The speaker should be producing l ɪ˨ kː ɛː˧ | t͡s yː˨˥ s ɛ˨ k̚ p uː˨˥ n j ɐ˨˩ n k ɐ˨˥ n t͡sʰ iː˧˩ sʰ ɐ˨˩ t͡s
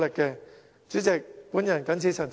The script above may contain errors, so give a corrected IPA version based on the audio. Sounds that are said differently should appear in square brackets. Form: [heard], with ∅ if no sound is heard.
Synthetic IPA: l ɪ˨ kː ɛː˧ | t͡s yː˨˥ [t͡s] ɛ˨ k̚ p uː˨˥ n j ɐ˨˩ n k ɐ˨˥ n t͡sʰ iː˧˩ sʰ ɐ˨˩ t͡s